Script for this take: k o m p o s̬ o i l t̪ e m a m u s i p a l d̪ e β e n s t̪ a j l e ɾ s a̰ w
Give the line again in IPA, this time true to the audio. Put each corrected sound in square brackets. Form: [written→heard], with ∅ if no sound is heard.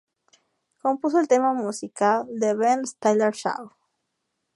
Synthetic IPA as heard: k o m p [o→u] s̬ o [i→e] l t̪ e m a m u s i [p→k] a l d̪ e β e n s t̪ a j l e ɾ [s→ʃ] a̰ w